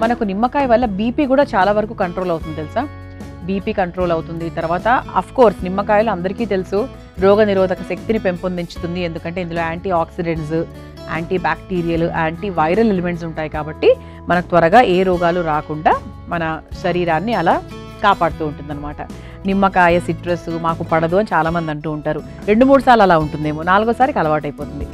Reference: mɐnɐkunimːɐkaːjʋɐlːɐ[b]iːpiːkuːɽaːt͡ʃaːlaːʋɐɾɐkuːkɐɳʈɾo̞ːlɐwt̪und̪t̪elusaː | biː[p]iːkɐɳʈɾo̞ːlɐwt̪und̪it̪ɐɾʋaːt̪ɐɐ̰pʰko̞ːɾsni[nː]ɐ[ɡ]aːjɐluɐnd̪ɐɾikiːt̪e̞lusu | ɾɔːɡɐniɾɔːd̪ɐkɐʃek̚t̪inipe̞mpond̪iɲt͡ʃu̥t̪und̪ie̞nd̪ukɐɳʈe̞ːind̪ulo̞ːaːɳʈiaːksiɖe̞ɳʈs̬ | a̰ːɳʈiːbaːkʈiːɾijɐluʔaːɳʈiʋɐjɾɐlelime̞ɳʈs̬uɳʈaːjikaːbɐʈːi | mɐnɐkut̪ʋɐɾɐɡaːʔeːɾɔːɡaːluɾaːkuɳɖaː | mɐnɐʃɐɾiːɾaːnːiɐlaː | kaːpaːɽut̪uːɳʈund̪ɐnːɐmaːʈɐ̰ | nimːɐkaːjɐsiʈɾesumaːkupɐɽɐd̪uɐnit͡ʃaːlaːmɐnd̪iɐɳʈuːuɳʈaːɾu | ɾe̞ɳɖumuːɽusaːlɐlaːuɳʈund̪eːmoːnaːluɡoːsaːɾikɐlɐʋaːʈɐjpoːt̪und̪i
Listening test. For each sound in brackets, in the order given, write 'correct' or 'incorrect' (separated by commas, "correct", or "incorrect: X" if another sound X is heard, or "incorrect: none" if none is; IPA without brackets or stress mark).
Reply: correct, correct, incorrect: mː, incorrect: k